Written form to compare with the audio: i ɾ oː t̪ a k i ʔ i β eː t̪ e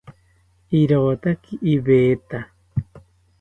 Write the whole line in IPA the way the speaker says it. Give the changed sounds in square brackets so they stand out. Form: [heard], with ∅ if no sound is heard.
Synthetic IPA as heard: i ɾ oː t̪ a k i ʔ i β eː t̪ [a]